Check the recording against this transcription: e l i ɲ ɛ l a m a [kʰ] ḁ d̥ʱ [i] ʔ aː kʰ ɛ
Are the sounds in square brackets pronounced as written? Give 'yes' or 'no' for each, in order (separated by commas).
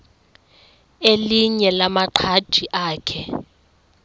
no, yes